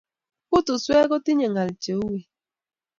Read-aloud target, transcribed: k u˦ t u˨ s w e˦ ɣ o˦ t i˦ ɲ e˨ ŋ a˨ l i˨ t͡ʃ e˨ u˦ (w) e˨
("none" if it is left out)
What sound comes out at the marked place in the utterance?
w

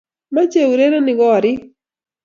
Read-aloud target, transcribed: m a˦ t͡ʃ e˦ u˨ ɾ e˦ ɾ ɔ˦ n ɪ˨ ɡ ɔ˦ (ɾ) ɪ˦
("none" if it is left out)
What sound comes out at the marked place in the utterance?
ɾ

